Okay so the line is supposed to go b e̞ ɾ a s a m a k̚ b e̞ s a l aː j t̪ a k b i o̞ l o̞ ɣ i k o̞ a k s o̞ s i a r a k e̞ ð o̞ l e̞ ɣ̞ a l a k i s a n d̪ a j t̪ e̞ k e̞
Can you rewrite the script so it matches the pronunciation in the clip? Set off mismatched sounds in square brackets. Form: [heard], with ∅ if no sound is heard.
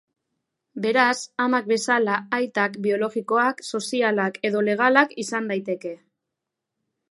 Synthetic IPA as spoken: b e̞ ɾ a s a m a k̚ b e̞ s a l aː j t̪ a k b i o̞ l o̞ ɣ i k o̞ a k s o̞ s i a [l] a k e̞ ð o̞ l e̞ ɣ̞ a l a k i s a n d̪ a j t̪ e̞ k e̞